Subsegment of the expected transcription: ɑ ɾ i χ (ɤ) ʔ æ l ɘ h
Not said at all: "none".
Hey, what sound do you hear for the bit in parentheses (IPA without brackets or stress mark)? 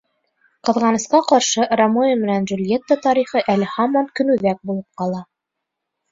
ɤ